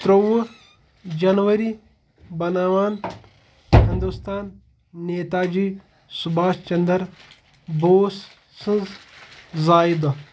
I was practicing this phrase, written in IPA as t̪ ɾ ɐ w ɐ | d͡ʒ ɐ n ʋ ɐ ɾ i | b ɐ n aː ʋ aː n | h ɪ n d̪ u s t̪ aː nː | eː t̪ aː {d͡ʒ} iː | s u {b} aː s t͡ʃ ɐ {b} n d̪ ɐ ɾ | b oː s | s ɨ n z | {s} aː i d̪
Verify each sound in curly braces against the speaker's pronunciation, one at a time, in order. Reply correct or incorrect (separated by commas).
correct, correct, incorrect, incorrect